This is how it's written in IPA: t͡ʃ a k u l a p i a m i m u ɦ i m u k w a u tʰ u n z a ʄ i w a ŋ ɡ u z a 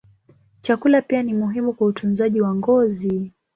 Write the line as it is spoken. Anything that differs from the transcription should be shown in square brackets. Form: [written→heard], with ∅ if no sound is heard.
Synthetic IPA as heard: t͡ʃ a k u l a p i a [m→n] i m u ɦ i m u k w a u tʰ u n z a ʄ i w a ŋ ɡ [u→ɔ] z [a→i]